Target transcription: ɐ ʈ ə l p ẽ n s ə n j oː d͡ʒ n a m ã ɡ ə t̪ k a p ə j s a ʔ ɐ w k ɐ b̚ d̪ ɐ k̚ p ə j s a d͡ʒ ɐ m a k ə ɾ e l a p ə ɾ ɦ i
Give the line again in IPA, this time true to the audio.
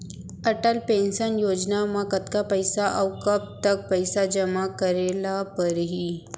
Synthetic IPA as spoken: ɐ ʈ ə l p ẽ n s ə n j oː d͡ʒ n a m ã k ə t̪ k a p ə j s a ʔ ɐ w k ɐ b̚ t̪ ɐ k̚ p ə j s a d͡ʒ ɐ m a k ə ɾ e l a p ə ɾ ɦ i